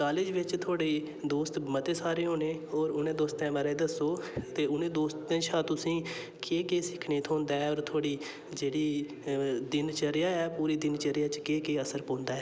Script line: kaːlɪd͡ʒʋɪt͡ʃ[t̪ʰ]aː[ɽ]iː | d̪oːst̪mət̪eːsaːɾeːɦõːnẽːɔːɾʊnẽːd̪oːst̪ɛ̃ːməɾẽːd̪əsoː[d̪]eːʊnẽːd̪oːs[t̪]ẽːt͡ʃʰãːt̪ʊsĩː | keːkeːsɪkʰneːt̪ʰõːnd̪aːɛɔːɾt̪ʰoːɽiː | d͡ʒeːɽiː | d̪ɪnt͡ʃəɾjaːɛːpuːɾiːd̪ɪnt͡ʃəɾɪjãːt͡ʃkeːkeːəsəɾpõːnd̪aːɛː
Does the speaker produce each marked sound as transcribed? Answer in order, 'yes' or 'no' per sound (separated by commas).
yes, yes, no, yes